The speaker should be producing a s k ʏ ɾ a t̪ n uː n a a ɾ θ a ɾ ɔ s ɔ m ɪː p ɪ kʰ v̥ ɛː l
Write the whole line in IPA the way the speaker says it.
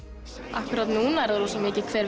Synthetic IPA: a h k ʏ ɾ a t̪ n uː n a ɛ ɾ ð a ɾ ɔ s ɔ m ɪː c ɪ kʰ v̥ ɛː ɾ